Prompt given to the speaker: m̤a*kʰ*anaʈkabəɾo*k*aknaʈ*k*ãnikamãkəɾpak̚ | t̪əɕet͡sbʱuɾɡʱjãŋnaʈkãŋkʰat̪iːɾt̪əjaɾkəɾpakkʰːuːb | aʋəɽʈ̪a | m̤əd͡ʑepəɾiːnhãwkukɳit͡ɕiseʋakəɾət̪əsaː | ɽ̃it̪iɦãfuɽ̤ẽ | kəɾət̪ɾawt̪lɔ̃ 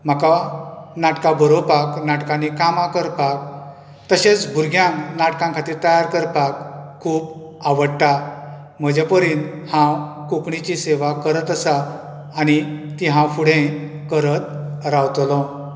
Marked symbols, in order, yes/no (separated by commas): no, no, yes